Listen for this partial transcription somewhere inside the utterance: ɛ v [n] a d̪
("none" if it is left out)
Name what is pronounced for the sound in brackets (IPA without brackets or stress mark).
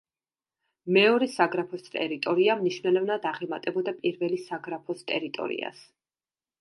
n